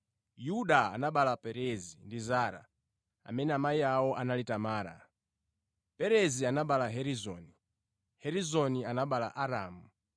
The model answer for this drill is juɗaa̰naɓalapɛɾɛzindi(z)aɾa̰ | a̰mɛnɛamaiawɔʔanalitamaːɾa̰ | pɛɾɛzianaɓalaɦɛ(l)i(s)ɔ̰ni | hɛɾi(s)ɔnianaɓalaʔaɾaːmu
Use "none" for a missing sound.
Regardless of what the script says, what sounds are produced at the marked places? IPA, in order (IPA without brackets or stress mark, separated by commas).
z, ɾ, z, z